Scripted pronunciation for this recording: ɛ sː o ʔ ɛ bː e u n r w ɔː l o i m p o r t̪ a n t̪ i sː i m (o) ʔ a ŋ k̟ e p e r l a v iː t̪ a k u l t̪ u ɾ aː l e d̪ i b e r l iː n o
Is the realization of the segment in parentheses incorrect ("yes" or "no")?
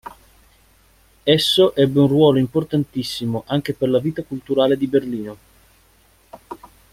no